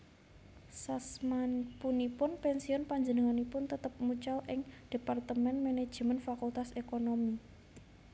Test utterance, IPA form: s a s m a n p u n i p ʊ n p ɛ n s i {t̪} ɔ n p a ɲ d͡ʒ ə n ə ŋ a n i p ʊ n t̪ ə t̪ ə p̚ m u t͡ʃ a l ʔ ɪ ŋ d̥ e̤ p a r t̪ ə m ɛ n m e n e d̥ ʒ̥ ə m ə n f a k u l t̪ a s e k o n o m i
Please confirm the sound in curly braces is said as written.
no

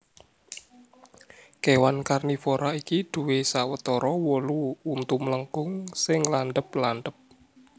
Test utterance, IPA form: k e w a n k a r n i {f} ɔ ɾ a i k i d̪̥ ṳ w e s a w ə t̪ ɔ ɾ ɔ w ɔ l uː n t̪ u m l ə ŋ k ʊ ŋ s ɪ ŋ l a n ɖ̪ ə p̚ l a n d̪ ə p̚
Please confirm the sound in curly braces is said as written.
yes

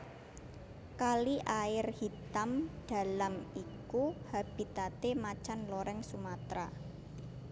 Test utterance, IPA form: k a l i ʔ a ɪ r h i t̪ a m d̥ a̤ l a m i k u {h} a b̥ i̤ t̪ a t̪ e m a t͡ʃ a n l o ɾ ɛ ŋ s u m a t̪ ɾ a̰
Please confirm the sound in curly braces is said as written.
yes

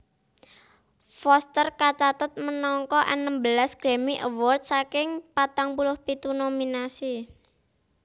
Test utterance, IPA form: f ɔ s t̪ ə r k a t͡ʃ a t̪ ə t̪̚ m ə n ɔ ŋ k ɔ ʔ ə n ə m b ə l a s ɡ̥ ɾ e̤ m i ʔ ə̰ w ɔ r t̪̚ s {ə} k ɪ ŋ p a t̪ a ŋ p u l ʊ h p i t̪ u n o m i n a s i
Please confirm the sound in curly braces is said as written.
no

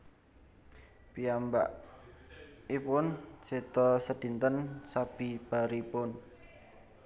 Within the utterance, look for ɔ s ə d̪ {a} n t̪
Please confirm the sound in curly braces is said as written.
no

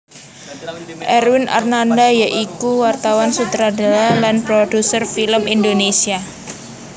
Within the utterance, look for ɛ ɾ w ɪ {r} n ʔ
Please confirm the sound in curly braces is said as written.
no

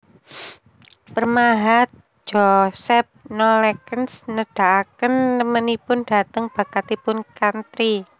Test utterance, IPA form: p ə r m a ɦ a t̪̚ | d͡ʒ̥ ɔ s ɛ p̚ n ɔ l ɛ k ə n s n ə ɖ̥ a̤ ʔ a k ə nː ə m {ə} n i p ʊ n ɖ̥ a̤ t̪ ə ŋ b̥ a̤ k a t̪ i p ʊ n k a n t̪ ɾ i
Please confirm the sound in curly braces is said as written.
yes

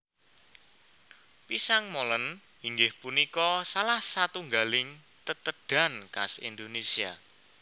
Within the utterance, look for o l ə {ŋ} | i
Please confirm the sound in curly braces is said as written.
no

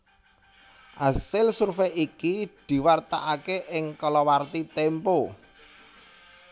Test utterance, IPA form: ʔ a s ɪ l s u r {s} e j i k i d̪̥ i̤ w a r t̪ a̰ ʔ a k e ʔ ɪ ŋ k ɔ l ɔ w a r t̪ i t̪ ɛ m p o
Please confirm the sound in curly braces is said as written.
no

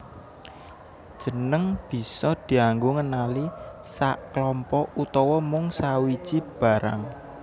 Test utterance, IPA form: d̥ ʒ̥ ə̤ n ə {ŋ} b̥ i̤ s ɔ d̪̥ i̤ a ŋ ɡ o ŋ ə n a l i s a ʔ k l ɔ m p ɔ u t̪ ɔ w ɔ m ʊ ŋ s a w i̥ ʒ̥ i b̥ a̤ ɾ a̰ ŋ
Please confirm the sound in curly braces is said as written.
yes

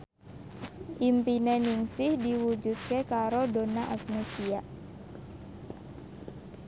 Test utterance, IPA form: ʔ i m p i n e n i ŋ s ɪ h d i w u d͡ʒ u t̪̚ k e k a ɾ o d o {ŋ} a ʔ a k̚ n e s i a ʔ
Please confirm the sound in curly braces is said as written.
no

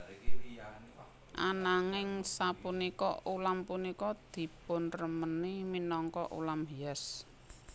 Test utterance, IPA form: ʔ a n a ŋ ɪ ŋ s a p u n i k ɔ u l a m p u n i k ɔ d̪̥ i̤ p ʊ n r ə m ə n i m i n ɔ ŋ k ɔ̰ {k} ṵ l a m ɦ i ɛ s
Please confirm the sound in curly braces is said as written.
no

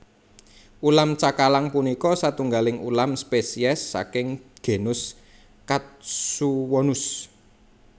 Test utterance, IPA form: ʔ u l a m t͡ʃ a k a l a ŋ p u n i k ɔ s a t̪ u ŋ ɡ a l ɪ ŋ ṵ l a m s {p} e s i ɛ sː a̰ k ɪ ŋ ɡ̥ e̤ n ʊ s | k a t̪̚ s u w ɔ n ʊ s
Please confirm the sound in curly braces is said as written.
yes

